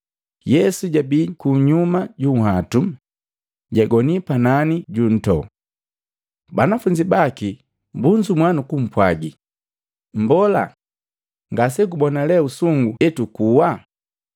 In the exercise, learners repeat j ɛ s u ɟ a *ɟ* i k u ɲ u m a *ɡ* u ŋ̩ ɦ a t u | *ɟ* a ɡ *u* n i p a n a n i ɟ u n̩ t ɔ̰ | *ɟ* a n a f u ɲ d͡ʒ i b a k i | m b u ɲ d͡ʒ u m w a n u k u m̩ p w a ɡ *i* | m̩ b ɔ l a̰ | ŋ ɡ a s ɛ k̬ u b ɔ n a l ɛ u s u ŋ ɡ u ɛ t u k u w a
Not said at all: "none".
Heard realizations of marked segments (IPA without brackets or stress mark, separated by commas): b, ɟ, ɟ, ɔ, b, i